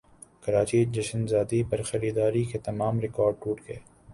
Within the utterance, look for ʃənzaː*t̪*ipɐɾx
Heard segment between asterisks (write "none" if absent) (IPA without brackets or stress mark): d̪